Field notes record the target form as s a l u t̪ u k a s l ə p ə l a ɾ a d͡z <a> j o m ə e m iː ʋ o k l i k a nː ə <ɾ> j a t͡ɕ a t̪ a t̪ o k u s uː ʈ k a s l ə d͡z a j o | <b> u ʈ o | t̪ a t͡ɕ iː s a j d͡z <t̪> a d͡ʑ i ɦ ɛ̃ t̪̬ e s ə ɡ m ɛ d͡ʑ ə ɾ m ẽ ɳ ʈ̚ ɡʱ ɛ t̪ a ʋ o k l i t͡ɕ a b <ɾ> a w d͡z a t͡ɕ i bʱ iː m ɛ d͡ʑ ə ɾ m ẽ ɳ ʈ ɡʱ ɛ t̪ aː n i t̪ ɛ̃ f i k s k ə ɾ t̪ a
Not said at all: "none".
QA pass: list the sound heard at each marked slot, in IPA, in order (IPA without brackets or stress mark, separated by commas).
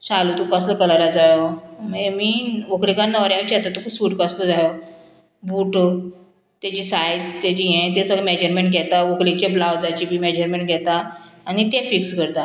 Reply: a, ɾ, b, t̪, l